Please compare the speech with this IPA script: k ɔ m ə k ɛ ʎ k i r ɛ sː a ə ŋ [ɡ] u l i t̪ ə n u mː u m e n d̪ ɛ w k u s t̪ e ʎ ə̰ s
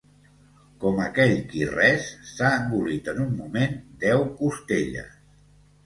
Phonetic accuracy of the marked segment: correct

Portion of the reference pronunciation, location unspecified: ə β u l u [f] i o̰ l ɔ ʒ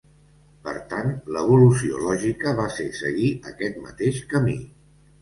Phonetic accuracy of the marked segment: incorrect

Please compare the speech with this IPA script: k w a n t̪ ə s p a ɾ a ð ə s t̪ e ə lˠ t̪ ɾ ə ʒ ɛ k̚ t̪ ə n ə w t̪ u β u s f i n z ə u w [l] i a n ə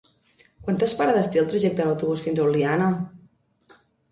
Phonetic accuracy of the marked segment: correct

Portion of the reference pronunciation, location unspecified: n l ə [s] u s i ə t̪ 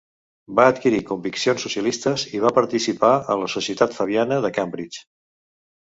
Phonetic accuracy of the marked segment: correct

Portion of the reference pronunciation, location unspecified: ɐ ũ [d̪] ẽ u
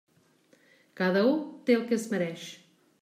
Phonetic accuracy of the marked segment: incorrect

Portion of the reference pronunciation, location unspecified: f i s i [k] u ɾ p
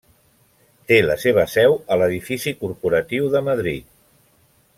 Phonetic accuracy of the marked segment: correct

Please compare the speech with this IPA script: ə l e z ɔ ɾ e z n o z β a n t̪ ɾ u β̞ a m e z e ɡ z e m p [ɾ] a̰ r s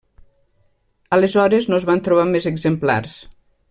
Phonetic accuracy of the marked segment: incorrect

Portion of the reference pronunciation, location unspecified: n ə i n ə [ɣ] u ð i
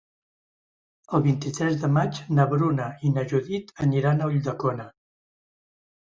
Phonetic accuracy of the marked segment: incorrect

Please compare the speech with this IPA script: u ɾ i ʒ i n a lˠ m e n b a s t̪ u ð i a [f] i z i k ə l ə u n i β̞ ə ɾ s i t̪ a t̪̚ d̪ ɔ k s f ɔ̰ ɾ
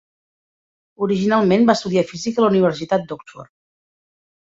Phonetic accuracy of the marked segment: correct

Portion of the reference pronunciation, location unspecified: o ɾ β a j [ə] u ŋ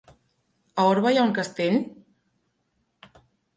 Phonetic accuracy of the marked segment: incorrect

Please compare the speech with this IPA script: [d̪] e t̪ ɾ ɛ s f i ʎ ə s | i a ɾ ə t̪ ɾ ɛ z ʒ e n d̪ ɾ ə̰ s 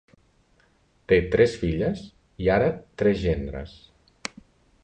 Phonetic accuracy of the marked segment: incorrect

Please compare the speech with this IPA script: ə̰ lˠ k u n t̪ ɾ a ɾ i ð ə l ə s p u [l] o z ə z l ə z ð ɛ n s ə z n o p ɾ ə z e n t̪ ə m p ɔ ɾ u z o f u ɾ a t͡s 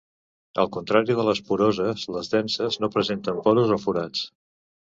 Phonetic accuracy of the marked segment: incorrect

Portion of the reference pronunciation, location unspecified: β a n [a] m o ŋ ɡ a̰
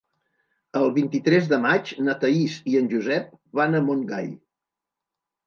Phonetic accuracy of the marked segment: incorrect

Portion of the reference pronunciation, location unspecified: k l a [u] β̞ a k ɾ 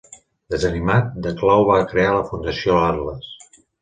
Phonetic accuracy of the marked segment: incorrect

